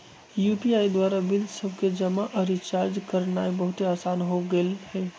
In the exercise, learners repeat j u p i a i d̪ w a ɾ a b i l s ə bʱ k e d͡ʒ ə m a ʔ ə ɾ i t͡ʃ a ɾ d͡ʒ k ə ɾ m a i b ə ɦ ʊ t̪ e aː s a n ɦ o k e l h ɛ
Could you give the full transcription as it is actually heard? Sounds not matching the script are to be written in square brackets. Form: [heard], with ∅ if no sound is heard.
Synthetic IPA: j u p i a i d̪ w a ɾ a b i l s ə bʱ k e d͡ʒ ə m a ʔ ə ɾ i t͡ʃ a ɾ d͡ʒ k ə ɾ [n] a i b ə ɦ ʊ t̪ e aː s a n ɦ o [ɡ] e l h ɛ